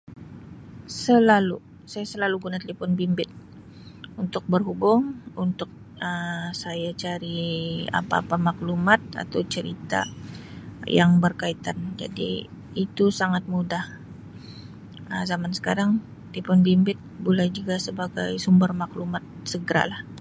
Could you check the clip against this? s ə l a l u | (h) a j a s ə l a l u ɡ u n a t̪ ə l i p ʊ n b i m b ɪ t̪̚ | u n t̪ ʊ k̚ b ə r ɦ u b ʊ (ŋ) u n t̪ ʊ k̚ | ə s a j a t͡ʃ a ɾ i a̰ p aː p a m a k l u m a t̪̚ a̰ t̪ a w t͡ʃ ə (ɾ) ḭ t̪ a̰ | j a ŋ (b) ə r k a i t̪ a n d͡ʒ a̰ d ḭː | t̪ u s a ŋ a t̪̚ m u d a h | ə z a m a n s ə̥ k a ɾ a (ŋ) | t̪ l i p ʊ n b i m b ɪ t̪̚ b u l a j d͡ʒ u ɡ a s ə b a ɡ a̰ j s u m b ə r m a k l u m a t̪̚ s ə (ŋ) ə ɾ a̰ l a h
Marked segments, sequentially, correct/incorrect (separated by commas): incorrect, correct, correct, correct, correct, incorrect